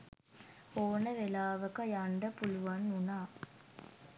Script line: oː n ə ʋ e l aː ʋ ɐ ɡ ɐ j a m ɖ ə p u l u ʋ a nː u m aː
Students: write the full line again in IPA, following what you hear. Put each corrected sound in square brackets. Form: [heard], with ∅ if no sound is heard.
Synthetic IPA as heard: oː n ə ʋ e l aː ʋ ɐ [k] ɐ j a [ɳ] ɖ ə p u l u ʋ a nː u [n] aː